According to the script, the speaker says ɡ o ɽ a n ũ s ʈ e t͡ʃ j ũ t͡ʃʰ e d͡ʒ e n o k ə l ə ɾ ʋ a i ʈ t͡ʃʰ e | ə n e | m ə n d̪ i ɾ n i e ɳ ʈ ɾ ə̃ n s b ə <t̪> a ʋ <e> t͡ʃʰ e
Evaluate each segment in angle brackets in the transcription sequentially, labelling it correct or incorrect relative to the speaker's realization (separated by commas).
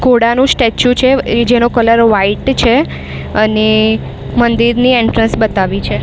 correct, incorrect